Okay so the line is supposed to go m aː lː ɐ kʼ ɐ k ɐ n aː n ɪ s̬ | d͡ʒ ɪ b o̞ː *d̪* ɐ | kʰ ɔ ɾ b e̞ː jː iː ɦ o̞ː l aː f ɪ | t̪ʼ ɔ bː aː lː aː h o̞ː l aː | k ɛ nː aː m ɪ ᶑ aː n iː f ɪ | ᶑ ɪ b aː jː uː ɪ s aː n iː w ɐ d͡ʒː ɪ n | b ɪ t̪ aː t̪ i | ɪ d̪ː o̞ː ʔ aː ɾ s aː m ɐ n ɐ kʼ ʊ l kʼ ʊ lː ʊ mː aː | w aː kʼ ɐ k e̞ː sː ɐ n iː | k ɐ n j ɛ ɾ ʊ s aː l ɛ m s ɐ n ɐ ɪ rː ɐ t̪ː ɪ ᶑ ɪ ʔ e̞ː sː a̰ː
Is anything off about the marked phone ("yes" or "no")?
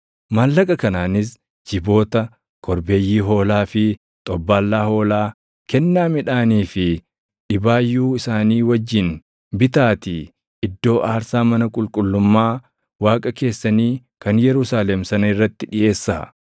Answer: yes